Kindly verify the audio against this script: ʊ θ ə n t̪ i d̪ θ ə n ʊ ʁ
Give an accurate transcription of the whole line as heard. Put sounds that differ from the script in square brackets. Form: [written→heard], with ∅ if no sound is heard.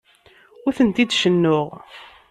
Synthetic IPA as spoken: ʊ θ ə n t̪ i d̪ [θ→ʃ] ə [n→nː] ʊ ʁ

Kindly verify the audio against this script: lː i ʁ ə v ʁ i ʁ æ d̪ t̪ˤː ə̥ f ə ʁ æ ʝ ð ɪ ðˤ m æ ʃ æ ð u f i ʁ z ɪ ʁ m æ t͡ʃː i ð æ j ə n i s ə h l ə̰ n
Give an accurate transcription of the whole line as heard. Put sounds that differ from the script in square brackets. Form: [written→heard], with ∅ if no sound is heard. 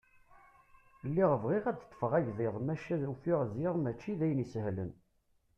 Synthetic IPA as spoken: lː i ʁ ə v ʁ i ʁ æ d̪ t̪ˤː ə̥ f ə ʁ æ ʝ ð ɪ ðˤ m æ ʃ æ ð u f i ʁ z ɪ ʁ m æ t͡ʃː i ð æ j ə n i s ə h l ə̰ n

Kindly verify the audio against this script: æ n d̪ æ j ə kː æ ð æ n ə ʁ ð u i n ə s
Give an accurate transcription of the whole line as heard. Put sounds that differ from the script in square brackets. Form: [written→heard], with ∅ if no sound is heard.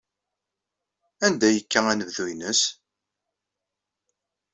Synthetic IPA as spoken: æ n d̪ æ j ə kː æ [ð→∅] æ n ə [ʁ→v] ð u i n ə s

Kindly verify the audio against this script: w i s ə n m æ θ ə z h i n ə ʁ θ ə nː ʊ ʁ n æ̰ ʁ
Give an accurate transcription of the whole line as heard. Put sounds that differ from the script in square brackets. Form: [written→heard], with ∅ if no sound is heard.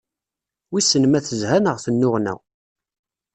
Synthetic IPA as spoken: w i s ə n m æ θ ə z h [i→æ] n ə ʁ θ ə nː ʊ ʁ n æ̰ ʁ

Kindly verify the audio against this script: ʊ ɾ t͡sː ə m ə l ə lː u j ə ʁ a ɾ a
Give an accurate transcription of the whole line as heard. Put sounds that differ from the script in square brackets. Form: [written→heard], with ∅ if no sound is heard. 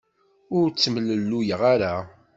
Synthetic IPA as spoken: ʊ ɾ t͡sː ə m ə l ə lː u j ə ʁ a ɾ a

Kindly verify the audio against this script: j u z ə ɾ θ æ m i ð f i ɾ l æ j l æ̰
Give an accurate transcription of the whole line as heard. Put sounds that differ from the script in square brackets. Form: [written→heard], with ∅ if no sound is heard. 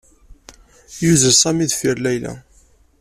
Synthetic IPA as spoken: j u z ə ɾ [θ→s] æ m i ð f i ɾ l æ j l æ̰

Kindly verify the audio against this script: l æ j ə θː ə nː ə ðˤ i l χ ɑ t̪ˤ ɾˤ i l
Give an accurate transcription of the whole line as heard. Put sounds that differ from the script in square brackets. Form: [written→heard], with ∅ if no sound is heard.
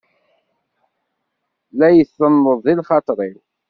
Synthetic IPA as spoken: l æ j ə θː ə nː ə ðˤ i l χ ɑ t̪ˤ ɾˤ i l

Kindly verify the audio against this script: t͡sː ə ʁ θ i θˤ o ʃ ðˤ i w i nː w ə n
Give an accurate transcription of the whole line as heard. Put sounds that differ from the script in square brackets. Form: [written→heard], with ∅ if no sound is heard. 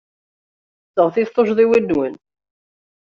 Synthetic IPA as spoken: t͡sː ə ʁ θ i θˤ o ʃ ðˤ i w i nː w ə n

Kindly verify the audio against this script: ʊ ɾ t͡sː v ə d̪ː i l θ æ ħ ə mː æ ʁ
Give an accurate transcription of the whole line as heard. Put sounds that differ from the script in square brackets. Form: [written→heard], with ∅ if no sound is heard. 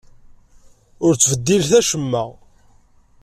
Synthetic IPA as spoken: ʊ ɾ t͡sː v ə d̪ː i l θ æ [ħ→ʃ] ə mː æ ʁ

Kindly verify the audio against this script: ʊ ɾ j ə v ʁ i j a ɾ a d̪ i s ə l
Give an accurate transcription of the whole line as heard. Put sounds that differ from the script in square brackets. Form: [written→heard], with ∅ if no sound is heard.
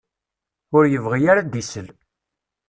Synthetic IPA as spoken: ʊ ɾ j ə v ʁ i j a ɾ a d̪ i s ə l

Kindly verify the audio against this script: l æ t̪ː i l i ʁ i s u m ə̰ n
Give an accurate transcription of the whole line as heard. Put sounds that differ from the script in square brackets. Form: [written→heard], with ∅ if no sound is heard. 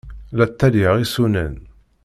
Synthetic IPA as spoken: l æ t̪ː [i→æ] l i ʁ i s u [m→n] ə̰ n

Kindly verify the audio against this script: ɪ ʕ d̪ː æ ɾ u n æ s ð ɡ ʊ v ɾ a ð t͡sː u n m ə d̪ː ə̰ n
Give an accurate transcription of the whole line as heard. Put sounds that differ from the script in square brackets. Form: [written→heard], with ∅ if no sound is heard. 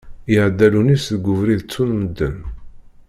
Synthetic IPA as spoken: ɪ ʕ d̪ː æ [ɾ→l] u n [æ→i] s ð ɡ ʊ v ɾ [a→i] ð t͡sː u n m ə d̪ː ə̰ n

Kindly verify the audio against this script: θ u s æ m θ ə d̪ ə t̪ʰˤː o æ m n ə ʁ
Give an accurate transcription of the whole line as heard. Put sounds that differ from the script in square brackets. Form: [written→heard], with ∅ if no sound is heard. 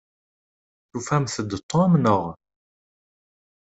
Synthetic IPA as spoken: θ u [s→f] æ m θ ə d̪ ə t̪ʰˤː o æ m n ə ʁ

